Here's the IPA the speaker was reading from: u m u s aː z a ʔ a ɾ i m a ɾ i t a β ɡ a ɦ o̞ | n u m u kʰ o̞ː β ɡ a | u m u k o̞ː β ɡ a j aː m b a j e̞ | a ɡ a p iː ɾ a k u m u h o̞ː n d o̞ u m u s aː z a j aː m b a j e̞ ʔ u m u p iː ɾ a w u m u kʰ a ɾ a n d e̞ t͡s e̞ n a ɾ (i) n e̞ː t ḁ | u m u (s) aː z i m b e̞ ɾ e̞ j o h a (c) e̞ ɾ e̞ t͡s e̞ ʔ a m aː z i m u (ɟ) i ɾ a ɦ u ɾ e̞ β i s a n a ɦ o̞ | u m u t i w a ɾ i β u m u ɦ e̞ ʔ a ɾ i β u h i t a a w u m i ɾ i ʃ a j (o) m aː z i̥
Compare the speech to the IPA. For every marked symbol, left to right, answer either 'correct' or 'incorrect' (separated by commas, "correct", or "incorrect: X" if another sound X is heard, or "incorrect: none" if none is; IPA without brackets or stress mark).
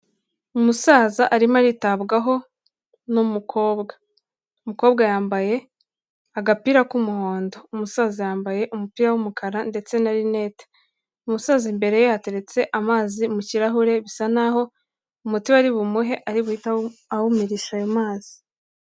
correct, correct, incorrect: t, incorrect: c, correct